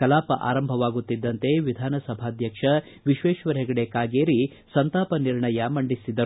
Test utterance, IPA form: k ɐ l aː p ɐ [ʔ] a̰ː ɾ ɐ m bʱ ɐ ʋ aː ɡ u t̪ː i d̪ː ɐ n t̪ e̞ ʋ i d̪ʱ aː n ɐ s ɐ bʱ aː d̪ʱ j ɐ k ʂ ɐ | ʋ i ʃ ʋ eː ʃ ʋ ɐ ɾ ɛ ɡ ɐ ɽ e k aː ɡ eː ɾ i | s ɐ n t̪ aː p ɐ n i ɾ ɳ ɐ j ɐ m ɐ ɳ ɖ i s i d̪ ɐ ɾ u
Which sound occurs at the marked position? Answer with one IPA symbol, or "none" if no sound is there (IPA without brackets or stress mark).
ʔ